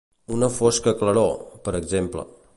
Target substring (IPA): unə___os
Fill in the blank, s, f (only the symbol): f